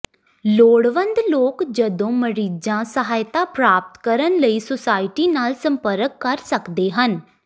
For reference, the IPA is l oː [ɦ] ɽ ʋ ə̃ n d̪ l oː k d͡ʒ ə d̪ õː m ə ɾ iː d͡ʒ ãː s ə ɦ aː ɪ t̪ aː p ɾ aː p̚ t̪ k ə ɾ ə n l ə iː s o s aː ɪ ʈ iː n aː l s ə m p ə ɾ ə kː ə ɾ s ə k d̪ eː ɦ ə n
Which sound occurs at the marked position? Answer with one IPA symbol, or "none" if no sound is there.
none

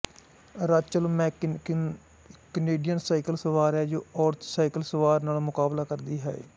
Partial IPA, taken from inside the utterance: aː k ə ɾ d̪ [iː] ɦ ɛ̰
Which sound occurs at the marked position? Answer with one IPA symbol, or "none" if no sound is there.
iː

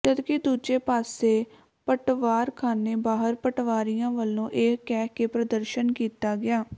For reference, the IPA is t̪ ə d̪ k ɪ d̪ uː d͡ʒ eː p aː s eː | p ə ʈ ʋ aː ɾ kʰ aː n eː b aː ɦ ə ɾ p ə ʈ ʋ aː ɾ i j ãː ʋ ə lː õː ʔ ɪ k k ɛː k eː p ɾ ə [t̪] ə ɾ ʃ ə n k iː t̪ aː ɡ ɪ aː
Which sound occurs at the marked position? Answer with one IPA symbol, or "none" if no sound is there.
d̪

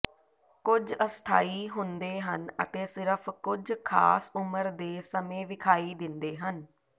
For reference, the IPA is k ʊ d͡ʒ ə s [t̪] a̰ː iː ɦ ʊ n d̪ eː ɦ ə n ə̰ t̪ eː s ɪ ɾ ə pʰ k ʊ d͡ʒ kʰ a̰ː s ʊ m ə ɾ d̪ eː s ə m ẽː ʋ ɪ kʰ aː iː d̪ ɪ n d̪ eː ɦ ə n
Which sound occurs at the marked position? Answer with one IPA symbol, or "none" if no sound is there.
t̪ʰ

